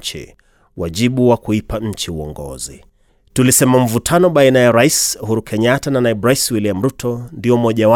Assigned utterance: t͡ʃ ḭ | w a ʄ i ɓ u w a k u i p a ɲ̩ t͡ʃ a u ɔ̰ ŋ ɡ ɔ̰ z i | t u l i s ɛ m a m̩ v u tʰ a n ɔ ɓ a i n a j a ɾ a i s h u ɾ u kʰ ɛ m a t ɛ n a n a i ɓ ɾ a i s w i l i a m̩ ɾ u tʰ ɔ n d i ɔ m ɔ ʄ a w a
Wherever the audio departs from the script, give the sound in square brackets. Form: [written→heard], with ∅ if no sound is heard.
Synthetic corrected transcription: t͡ʃ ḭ | w a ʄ i ɓ u w a k u i p a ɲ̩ t͡ʃ [a→i] u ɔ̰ ŋ ɡ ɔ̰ z i | t u l i s ɛ m a m̩ v u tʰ a n ɔ ɓ a i n a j a ɾ a i s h u ɾ u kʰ ɛ [m→ɲ] a t [ɛ→a] n a n a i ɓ ɾ a i s w i l i a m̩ ɾ u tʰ ɔ n d i ɔ m ɔ ʄ a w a